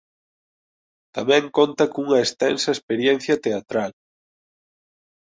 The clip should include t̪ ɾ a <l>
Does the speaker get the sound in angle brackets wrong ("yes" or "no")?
no